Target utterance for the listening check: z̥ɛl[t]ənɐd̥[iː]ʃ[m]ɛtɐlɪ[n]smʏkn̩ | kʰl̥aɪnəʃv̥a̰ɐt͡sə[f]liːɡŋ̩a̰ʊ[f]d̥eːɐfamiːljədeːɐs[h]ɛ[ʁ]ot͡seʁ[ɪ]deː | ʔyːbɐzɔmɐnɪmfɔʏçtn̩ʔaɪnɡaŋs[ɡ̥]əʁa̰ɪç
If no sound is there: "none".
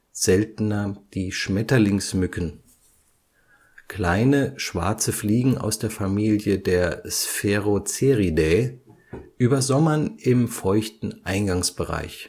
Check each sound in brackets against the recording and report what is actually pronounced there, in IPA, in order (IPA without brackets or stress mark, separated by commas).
t, iː, m, ŋ, f, s, f, ʁ, i, b̥